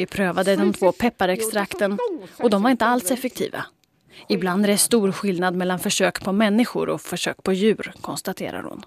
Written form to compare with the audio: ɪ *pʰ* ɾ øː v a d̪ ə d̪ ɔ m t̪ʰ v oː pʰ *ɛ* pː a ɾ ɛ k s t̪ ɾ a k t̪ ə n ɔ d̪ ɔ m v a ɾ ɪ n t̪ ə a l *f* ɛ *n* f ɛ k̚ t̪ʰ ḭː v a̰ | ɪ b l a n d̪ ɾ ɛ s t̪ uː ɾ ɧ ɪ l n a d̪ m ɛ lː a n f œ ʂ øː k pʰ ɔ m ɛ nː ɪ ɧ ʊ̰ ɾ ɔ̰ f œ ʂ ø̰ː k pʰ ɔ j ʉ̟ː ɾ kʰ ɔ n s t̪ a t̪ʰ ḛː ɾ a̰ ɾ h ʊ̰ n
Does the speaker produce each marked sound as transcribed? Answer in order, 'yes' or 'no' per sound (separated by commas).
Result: yes, yes, no, no